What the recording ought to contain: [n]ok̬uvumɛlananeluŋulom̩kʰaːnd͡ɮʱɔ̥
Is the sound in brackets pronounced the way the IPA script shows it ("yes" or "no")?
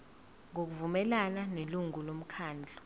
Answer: no